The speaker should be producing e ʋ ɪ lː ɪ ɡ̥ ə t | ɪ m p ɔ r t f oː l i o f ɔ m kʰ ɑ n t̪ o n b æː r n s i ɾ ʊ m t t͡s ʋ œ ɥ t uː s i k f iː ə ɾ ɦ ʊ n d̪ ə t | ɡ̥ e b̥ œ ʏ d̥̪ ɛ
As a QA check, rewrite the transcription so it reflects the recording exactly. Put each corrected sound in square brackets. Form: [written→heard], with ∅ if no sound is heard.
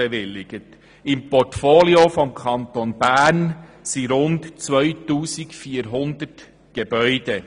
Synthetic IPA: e ʋ ɪ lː ɪ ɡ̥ ə t | ɪ m p ɔ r t f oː l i o f ɔ m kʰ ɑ n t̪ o n b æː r n s i ɾ ʊ [m→n] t t͡s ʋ œ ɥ t uː s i k f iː ə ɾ ɦ ʊ n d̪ ə t | ɡ̥ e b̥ œ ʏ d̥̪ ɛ